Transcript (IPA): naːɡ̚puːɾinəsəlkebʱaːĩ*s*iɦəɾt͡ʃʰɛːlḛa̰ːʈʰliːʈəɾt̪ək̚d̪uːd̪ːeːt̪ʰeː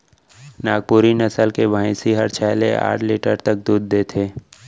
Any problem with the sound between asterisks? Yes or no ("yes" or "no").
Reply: no